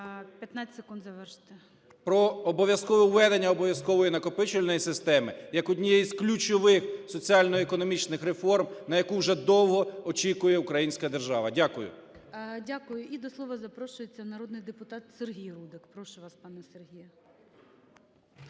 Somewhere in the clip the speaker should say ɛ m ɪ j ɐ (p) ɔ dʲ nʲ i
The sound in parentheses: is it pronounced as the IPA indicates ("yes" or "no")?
no